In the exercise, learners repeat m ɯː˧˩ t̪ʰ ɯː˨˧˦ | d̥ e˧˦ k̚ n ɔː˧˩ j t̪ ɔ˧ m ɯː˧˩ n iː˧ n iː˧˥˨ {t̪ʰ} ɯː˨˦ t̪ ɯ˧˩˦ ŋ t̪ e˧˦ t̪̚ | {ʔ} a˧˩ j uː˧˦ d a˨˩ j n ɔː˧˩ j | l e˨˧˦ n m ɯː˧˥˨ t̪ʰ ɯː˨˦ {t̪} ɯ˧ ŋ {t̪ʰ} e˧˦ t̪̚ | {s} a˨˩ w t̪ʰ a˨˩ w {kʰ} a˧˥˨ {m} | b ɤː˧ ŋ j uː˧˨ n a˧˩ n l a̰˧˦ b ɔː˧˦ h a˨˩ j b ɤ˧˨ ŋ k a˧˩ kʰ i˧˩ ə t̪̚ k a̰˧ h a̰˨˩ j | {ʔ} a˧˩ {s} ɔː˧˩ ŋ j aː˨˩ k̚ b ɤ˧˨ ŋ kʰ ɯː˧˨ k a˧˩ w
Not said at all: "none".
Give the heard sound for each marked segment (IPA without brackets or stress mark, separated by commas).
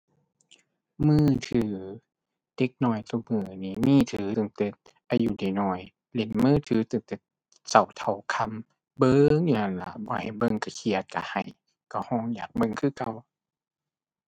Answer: t̪ʰ, ʔ, t̪, t̪, s, kʰ, m, k, h